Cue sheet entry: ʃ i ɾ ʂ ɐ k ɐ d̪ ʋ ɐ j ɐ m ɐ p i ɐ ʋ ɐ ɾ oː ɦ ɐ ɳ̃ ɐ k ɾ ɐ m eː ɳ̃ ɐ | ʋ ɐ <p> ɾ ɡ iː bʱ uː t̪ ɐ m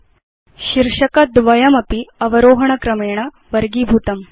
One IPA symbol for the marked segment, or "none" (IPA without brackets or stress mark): none